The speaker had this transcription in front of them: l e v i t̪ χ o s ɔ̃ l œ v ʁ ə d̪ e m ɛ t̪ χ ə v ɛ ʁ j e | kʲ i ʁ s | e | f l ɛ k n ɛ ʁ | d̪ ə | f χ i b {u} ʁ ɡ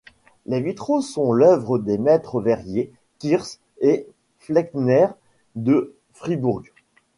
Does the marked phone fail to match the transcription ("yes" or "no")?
no